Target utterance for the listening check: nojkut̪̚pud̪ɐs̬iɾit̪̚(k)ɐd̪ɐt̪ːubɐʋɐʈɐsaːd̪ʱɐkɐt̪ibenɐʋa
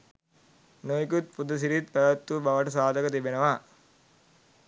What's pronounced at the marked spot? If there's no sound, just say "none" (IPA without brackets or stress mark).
p